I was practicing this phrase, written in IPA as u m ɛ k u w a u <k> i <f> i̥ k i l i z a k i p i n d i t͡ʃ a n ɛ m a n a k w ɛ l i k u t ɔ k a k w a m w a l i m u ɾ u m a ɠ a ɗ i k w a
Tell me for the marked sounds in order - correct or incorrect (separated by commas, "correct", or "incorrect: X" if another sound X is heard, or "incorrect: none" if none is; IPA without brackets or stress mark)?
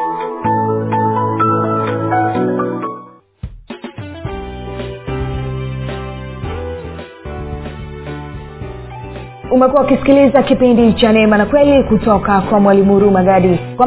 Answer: correct, incorrect: s